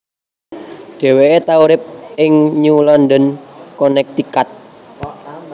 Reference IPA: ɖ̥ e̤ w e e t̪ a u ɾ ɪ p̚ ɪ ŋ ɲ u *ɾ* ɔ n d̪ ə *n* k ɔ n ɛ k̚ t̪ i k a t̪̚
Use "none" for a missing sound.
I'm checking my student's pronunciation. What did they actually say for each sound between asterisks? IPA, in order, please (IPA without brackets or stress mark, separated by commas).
l, n